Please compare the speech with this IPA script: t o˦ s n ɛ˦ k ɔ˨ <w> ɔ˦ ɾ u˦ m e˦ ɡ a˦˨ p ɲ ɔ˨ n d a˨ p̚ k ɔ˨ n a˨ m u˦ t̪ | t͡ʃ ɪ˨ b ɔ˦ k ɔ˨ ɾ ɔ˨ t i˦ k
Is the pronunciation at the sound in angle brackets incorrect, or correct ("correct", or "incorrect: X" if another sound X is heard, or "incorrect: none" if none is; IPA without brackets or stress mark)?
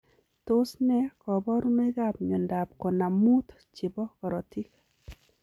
incorrect: b